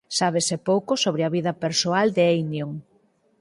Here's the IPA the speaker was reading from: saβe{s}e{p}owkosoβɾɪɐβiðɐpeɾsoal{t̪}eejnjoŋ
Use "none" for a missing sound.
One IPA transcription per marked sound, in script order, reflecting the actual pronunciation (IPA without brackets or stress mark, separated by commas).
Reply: s, p, d̪